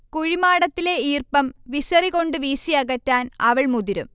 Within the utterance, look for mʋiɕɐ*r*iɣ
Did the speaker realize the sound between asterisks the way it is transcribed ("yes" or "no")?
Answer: yes